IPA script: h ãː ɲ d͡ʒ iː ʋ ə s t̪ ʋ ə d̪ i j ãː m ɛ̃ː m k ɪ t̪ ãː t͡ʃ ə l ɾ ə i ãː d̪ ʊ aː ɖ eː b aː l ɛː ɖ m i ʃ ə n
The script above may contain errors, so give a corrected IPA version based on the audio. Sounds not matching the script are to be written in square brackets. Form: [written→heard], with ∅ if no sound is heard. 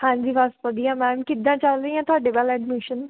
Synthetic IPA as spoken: h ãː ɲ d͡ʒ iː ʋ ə s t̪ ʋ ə d̪ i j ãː m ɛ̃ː m k ɪ [t̪→d̪] ãː t͡ʃ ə l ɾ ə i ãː [d̪→t̪] ʊ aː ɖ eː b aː l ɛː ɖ m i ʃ ə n